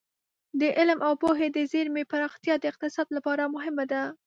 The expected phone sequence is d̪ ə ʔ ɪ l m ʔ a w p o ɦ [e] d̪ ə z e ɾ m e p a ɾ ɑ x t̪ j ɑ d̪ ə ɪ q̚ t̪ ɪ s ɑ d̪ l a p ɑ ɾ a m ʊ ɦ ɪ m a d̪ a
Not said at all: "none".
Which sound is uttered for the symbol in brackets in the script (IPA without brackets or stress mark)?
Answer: e